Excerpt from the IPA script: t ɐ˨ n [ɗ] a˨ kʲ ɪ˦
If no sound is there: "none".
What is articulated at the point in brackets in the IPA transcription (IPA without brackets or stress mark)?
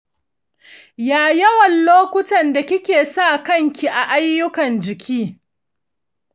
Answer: d